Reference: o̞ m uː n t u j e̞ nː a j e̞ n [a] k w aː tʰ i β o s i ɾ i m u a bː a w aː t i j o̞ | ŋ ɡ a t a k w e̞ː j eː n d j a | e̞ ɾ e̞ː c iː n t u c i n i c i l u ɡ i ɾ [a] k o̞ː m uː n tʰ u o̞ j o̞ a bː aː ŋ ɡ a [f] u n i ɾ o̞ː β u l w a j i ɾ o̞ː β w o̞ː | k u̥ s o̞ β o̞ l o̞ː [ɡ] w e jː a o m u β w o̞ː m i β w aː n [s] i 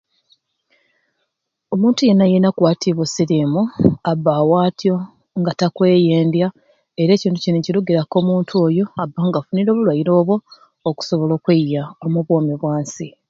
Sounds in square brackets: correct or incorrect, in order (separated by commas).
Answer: correct, correct, correct, incorrect, correct